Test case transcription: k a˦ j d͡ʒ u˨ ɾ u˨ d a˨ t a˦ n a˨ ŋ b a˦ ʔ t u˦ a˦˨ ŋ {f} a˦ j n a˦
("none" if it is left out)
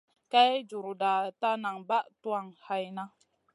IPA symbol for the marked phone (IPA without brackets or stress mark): h